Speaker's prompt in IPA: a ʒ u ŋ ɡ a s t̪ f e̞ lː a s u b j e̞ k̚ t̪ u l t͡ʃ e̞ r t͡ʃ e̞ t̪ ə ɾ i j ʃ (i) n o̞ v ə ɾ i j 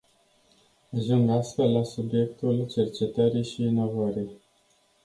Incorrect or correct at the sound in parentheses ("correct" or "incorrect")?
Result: incorrect